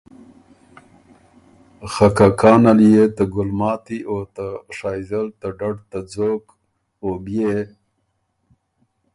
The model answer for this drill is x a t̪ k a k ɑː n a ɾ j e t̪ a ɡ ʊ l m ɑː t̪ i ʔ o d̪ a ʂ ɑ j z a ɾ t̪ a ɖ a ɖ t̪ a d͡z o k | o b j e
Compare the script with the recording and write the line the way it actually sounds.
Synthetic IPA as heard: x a k a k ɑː n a l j e t̪ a ɡ ʊ l m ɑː t̪ i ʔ o t̪ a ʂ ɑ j z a l t̪ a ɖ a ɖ t̪ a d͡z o k | o b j e